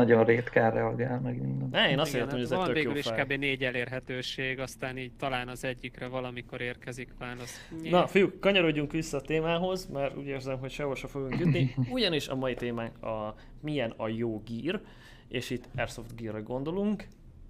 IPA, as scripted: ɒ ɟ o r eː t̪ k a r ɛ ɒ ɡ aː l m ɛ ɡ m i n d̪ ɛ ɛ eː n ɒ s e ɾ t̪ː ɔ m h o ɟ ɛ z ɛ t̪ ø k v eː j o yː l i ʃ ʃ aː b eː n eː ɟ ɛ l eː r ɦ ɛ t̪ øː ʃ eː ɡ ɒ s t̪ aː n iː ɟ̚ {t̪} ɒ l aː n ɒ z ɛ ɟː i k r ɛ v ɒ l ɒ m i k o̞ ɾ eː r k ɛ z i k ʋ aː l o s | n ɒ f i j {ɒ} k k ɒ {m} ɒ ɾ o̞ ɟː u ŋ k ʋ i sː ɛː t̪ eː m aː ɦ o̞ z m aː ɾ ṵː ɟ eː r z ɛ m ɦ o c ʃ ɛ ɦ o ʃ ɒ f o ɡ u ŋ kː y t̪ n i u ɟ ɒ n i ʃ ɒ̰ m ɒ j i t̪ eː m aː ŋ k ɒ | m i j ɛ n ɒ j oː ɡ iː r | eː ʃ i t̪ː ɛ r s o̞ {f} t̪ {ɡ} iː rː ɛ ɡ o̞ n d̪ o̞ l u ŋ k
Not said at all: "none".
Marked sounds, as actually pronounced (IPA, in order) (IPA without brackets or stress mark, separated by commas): t̪, u, ɲ, f, ɡ